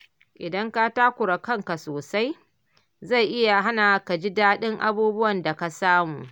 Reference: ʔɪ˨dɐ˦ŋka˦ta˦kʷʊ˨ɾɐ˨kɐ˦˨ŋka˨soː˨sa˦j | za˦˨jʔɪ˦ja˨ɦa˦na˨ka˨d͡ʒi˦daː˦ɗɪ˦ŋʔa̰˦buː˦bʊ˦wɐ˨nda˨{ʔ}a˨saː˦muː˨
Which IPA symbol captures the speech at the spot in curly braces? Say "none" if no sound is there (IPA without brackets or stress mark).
k